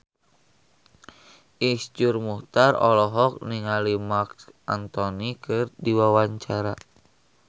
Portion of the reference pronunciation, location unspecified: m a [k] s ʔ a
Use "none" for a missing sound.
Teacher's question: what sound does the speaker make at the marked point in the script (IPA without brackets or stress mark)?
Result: k